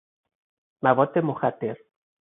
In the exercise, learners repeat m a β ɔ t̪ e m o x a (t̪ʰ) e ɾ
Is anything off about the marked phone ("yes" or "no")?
yes